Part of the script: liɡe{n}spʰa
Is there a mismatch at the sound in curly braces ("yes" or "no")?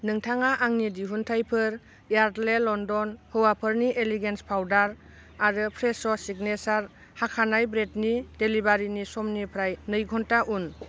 no